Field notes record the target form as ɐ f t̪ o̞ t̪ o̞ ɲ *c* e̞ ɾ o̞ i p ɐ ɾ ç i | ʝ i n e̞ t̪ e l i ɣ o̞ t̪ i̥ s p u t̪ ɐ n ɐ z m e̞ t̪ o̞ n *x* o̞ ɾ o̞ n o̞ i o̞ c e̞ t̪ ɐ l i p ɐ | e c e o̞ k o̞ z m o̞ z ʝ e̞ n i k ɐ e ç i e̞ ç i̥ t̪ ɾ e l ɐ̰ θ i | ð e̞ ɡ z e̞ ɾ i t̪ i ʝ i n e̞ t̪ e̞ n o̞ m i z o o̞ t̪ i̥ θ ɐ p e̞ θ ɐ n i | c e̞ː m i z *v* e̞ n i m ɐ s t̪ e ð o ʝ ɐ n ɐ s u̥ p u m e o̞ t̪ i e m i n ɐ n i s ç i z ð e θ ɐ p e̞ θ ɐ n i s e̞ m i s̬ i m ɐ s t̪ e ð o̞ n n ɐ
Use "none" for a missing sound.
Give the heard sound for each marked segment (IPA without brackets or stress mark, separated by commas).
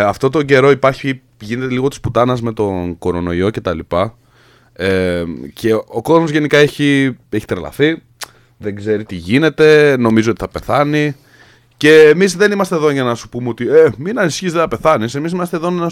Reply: ɟ, k, ð